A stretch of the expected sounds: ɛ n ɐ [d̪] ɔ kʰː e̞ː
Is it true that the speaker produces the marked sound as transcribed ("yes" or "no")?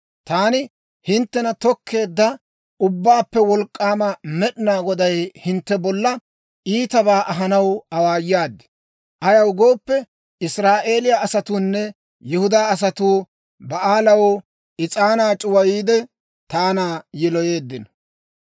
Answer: no